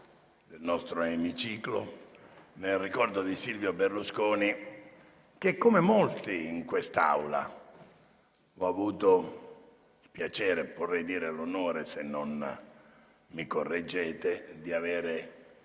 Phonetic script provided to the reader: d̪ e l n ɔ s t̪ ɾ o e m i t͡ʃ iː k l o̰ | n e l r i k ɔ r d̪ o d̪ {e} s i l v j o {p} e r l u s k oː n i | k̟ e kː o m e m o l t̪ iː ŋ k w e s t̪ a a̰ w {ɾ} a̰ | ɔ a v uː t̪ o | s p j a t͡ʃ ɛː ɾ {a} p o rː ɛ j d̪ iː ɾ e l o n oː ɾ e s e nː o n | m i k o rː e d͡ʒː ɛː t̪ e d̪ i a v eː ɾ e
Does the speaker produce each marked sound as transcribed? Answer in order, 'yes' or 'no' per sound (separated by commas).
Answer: no, no, no, no